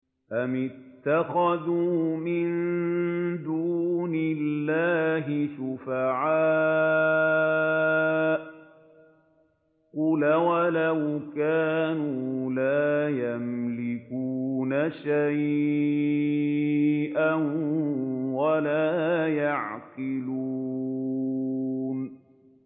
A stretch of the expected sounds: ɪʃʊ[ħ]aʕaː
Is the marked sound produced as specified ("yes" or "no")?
no